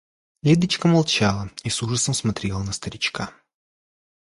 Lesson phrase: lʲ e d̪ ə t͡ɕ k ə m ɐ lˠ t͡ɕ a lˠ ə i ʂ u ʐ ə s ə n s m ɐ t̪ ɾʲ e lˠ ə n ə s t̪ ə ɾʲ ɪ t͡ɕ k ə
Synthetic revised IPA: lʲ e d̪ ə t͡ɕ k ə m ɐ lˠ t͡ɕ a lˠ ə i s u ʐ ə s ə m s m ɐ t̪ ɾʲ e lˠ ə n ə s t̪ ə ɾʲ ɪ t͡ɕ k a